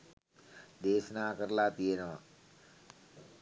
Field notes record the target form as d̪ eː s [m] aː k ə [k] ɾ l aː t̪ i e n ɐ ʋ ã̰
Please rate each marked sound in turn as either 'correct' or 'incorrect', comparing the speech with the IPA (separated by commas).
incorrect, incorrect